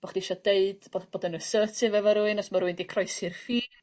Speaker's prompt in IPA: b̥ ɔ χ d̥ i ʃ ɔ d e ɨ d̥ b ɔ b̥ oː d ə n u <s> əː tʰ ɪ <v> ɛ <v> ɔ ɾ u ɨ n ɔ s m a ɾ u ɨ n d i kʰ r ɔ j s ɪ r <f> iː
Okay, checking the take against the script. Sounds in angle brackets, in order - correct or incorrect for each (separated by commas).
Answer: correct, correct, correct, correct